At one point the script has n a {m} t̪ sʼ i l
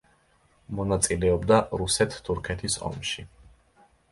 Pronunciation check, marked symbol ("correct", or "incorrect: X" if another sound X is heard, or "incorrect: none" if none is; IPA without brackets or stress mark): incorrect: none